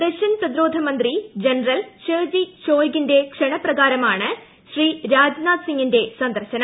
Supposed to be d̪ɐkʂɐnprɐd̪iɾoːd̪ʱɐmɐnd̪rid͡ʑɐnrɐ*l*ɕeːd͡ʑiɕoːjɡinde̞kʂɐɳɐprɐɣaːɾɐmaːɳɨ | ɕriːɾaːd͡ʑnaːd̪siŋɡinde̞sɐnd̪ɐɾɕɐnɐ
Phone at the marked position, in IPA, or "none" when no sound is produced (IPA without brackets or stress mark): l